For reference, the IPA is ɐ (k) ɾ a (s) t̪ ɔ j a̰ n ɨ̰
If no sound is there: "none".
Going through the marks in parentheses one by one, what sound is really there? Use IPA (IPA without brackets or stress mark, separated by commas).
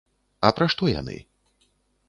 p, ʂ